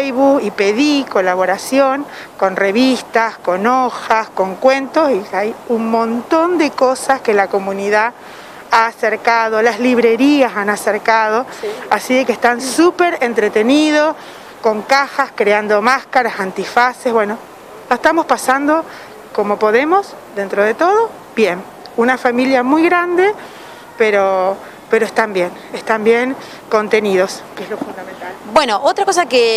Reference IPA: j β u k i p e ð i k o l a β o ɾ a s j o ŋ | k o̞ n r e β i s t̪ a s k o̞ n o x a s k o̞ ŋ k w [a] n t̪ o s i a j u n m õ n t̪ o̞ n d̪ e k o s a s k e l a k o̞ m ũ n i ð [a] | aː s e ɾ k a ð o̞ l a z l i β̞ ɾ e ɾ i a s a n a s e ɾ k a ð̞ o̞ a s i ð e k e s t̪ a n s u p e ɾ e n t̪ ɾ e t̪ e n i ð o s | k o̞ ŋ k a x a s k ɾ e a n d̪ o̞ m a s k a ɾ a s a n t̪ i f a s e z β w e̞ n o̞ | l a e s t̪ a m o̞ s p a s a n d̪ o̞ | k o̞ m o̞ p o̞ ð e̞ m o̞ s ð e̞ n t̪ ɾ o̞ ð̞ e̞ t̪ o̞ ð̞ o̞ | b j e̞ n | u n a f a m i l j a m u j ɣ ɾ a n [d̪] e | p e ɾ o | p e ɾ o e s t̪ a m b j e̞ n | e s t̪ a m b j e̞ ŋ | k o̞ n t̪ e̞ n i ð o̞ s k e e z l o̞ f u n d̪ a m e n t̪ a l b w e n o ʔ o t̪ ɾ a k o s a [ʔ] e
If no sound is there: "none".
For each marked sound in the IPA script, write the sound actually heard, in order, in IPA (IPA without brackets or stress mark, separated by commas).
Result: e, a, d̪, k